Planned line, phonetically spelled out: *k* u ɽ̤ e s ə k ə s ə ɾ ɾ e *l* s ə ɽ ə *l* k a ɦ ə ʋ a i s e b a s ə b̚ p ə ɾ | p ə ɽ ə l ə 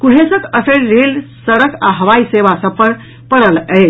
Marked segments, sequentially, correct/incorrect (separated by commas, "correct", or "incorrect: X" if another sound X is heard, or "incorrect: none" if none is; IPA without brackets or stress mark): correct, correct, incorrect: none